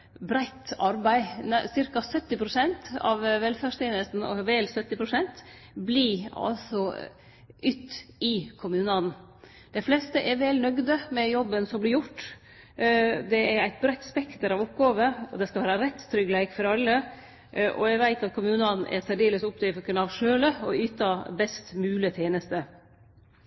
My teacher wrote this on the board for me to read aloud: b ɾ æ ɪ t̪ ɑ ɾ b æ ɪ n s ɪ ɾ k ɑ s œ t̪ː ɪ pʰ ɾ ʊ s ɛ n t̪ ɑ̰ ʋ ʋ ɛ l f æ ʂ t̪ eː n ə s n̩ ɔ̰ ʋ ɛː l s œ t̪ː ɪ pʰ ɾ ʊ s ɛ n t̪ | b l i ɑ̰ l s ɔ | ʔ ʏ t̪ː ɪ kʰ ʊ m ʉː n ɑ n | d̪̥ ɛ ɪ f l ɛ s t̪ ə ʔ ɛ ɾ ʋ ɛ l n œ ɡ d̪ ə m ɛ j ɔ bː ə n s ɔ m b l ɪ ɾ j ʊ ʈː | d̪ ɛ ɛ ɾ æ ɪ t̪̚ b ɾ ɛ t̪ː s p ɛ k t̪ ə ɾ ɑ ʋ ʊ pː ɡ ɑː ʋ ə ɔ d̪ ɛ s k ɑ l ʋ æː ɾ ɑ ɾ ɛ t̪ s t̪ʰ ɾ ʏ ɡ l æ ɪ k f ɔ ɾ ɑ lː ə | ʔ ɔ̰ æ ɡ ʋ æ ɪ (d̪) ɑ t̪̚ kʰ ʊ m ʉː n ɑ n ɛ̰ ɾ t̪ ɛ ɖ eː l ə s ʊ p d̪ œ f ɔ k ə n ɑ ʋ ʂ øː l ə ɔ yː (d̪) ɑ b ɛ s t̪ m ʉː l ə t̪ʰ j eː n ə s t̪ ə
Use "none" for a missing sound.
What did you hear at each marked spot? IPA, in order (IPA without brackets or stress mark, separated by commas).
t̪, t̪